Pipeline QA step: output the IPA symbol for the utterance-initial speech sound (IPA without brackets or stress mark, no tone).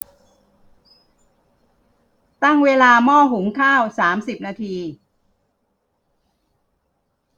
t̪